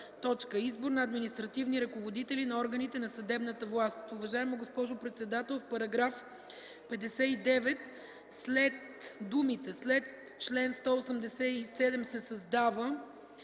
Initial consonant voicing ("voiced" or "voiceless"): voiceless